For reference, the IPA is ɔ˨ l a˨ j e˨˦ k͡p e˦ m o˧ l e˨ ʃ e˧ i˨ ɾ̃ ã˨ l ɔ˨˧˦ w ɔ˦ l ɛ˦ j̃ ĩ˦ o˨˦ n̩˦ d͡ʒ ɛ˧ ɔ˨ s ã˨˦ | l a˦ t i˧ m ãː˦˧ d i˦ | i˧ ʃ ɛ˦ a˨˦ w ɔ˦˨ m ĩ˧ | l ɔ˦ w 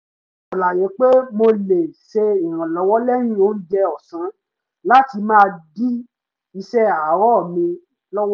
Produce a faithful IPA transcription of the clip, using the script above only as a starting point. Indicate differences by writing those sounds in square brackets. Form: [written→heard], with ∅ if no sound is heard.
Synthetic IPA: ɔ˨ l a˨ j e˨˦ k͡p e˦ m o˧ l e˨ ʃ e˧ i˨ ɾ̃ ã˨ l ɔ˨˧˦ w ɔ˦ l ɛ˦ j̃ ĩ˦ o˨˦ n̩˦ d͡ʒ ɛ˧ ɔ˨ s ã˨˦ | l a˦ t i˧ m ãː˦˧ d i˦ | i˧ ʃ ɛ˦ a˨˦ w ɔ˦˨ m ĩ˧ | l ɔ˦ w